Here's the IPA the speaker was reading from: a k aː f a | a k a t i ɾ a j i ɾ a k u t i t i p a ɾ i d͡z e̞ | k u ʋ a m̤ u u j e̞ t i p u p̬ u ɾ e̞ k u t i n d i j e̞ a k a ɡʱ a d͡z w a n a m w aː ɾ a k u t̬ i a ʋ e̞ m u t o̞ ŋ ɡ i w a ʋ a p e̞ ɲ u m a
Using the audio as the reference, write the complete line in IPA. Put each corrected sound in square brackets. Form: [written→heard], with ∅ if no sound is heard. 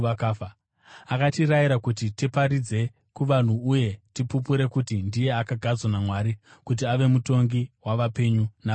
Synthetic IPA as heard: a k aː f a | a k a t i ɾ a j i ɾ a k u t i t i p a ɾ i d͡z e̞ | k u ʋ a [m̤→n̤] u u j e̞ t i p u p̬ u ɾ e̞ k u t i n d i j e̞ a k a ɡʱ a d͡z w a n a m w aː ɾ [a→i] k u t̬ i a ʋ e̞ m u t o̞ ŋ ɡ i w a ʋ a p e̞ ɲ u [m→n] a